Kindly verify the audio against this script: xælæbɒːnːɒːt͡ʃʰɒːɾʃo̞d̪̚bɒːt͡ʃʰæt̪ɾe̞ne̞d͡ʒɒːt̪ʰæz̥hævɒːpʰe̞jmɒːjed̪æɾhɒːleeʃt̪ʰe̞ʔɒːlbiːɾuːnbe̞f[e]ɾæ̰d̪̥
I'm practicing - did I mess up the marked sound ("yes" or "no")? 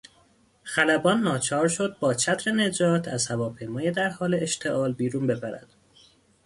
yes